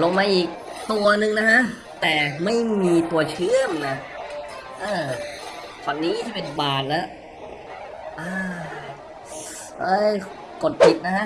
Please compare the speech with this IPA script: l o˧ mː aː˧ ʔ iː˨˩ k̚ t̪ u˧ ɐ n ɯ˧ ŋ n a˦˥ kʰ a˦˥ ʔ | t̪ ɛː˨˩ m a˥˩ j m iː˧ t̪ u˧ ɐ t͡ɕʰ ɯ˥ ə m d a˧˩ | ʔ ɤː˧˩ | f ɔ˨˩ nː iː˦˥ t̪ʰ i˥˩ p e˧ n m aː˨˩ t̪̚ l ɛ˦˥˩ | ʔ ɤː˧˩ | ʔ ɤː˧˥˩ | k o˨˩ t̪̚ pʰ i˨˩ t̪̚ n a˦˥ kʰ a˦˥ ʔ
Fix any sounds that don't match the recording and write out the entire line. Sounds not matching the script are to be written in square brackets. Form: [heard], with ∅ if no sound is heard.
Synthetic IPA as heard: l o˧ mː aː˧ ʔ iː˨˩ k̚ t̪ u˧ ɐ n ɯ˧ ŋ n a˦˥ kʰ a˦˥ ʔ | t̪ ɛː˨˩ m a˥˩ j m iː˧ t̪ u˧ ɐ t͡ɕʰ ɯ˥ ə m [n] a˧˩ | ʔ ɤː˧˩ | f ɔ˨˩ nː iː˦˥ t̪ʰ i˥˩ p e˧ n [b] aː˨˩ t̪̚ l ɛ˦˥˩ | ʔ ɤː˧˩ | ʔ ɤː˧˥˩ | k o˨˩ t̪̚ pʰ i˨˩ t̪̚ n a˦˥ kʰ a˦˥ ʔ

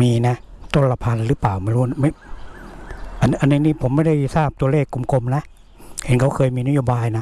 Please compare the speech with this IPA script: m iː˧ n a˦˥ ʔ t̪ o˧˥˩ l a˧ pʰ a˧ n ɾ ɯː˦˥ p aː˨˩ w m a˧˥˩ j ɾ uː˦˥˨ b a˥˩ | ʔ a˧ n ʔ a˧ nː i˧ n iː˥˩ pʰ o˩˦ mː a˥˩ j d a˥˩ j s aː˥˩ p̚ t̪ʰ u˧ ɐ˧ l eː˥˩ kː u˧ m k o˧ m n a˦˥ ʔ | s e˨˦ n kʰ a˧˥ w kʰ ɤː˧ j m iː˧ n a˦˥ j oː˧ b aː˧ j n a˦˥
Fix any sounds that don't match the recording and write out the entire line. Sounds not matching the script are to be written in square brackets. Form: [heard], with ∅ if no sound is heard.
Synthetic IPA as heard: m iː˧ n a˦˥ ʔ t̪ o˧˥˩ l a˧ pʰ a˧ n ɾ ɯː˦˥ p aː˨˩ w m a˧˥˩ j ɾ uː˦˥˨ [m] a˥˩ | ʔ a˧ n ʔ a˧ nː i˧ n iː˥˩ pʰ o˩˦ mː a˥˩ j d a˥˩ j s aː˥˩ p̚ [t̪] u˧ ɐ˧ l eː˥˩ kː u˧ m k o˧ m n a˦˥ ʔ | [h] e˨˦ n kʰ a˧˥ w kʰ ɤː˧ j m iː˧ n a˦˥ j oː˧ b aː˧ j n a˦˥

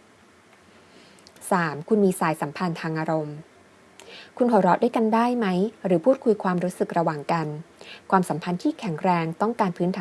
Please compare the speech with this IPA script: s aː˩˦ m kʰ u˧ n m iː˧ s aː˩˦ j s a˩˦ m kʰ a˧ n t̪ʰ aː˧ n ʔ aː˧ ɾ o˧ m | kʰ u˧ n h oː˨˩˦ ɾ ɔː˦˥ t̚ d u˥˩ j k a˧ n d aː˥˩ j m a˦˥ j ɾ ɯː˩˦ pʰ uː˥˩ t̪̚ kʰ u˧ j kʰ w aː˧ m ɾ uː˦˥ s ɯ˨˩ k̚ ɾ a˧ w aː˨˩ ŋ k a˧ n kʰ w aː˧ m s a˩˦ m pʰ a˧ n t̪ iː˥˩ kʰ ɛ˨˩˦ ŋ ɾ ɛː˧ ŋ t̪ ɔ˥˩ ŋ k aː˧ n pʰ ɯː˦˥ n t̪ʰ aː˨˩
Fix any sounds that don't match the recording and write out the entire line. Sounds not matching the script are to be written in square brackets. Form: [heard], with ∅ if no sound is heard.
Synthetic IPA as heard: s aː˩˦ m kʰ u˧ n m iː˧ s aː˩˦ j s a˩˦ m [pʰ] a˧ n t̪ʰ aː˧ [ŋ] ʔ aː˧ ɾ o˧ m | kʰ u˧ n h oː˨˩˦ ɾ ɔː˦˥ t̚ d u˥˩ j k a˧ n d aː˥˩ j m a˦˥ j ɾ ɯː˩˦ pʰ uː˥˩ t̪̚ kʰ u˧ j kʰ w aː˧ m ɾ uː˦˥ s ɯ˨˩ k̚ ɾ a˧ w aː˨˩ ŋ k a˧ n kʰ w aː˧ m s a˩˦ m pʰ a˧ n [t̪ʰ] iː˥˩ kʰ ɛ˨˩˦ ŋ ɾ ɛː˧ ŋ t̪ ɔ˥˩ ŋ k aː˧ n pʰ ɯː˦˥ n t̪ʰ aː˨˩

